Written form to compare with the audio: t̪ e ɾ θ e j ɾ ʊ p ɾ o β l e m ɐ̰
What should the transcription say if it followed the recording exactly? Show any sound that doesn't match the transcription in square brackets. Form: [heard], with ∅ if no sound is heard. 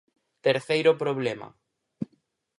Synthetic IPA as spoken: t̪ e ɾ θ e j ɾ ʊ p ɾ o β l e m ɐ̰